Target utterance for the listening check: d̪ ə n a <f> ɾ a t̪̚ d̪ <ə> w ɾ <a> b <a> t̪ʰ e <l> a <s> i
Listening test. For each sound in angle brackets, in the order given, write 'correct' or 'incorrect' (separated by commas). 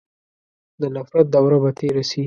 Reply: correct, incorrect, correct, correct, incorrect, correct